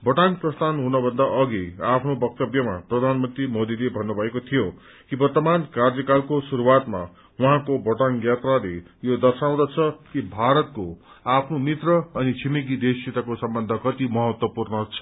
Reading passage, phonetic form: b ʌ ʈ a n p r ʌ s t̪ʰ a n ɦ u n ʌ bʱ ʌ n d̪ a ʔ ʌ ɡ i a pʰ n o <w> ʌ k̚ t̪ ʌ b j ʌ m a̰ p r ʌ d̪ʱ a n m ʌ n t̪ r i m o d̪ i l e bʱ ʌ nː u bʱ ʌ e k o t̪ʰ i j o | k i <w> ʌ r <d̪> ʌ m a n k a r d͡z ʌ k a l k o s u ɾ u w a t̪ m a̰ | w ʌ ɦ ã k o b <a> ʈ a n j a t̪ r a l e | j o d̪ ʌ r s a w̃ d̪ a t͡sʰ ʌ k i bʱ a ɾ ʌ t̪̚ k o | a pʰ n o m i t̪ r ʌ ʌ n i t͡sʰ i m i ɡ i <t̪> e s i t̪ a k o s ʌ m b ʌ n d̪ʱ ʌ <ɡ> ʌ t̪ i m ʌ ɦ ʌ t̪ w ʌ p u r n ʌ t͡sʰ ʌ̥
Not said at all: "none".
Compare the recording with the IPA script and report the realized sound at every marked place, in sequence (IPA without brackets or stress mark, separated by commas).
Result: b, b, t̪, ʌ, d̪, k